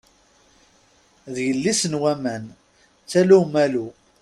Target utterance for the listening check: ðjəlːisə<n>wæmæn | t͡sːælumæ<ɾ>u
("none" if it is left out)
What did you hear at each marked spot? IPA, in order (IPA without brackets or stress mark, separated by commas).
n, l